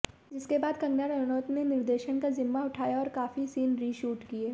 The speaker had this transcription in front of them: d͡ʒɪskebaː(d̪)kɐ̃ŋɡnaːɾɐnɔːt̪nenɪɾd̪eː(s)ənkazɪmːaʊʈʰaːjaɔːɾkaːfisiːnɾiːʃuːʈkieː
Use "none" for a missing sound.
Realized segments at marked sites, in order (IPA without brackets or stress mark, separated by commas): d̪, ʃ